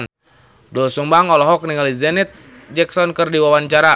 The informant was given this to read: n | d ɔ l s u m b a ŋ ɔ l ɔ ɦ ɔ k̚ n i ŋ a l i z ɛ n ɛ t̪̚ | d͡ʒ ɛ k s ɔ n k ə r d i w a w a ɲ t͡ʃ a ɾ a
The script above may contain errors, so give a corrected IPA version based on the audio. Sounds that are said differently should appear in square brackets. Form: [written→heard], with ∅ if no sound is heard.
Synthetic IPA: n | d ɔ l s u m b a ŋ ɔ l ɔ ɦ ɔ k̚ n i ŋ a l i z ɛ n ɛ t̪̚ | d͡ʒ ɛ k s ɔ n k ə r d i w a w a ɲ t͡ʃ a ɾ a